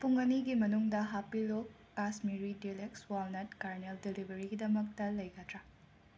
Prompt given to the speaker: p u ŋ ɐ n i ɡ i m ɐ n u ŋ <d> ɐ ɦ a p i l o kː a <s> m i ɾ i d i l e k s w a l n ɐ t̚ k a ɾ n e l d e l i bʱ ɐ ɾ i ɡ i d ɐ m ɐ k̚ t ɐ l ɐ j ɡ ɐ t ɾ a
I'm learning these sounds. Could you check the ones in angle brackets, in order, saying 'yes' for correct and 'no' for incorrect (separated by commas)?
yes, yes